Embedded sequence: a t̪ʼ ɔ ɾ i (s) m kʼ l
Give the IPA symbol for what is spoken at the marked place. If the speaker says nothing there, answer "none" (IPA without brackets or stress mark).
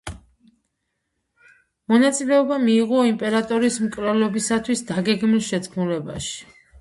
s